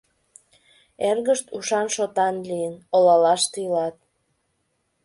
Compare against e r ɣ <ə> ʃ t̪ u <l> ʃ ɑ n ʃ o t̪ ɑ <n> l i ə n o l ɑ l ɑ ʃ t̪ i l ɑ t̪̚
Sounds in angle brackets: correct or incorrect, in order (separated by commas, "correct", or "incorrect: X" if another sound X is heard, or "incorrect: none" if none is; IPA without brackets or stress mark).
correct, incorrect: none, correct